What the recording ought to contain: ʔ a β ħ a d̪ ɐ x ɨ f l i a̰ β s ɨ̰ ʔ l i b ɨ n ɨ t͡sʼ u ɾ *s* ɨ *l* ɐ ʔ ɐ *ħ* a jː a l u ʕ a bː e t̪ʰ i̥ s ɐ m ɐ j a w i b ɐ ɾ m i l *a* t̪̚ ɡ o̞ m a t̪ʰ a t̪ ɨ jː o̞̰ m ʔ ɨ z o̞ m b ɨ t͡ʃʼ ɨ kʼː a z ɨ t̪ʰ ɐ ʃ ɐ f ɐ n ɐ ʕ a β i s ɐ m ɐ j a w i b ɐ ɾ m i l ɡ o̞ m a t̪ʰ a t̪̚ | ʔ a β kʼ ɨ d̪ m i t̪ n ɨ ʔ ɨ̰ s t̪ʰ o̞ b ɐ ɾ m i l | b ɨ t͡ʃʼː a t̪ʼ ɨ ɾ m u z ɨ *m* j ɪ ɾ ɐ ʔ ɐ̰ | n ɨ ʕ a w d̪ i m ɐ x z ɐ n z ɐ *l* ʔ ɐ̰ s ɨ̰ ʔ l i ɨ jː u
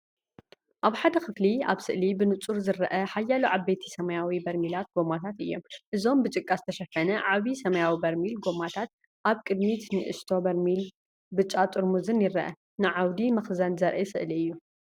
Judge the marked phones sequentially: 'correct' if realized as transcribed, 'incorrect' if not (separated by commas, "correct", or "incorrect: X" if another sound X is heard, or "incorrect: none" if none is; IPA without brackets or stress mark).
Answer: incorrect: z, incorrect: ɾ, correct, correct, incorrect: n, incorrect: ɾ